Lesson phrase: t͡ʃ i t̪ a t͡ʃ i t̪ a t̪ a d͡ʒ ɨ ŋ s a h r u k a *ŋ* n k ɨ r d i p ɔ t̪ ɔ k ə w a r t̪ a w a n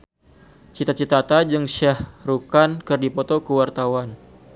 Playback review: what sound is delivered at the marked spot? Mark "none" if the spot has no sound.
none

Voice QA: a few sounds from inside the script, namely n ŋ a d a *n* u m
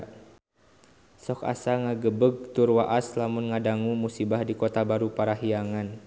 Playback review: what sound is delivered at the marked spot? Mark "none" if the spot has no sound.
ŋ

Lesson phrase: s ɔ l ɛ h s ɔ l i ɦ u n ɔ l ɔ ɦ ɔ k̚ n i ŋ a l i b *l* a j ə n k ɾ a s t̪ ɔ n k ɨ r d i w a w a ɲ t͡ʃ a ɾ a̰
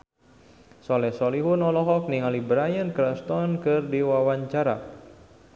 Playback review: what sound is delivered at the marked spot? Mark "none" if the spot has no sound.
ɾ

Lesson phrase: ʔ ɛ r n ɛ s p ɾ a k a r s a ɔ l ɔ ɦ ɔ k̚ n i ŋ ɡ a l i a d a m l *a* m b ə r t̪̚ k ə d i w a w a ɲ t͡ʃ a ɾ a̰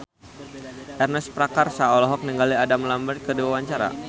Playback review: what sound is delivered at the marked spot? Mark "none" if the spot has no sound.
a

